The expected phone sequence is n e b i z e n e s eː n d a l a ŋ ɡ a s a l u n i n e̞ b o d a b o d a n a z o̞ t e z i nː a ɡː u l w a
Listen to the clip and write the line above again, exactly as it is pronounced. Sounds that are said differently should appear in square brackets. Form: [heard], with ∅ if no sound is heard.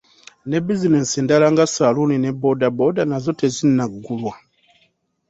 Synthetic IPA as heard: n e b i z [i] n e s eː n d a l a ŋ ɡ a s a l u n i n e̞ b o d a b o d a n a z o̞ t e z i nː a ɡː u l w a